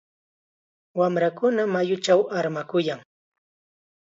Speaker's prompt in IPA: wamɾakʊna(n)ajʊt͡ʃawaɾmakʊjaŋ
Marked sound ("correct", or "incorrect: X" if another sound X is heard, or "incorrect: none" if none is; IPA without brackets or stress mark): incorrect: m